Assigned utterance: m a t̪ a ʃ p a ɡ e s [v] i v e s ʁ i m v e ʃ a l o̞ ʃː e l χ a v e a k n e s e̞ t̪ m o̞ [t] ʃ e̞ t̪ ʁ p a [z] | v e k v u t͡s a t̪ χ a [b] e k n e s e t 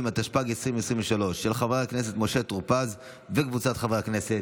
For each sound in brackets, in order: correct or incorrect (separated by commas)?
incorrect, incorrect, correct, incorrect